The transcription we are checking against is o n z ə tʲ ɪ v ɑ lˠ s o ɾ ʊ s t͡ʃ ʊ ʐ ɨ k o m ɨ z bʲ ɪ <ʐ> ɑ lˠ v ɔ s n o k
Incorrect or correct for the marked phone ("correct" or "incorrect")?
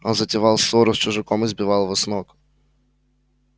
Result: incorrect